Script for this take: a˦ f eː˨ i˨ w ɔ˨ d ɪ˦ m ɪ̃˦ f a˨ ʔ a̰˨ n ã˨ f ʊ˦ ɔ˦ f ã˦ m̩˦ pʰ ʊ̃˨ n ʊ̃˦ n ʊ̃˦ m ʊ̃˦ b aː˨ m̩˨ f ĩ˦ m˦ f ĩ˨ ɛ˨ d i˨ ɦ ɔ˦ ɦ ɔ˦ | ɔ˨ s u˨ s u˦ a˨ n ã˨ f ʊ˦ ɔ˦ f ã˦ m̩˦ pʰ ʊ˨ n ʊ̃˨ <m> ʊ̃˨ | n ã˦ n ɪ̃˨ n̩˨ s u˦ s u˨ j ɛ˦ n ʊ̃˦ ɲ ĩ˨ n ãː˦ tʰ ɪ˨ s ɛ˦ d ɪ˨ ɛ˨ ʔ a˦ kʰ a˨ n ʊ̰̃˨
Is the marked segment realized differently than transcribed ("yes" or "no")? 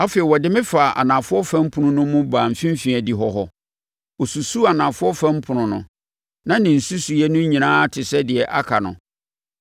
yes